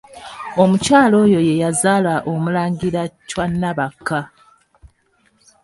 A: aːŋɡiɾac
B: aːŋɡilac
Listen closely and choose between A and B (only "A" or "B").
A